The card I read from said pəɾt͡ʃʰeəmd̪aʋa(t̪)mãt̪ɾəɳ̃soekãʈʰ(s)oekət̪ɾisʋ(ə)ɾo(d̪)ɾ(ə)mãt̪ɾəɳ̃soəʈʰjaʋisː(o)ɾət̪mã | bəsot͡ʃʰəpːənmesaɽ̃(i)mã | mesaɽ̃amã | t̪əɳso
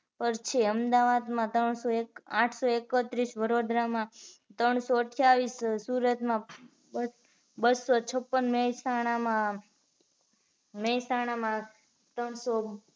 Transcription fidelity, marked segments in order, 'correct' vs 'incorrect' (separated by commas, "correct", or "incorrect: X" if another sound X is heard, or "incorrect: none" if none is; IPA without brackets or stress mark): incorrect: d̪, correct, correct, correct, incorrect: a, incorrect: u, incorrect: a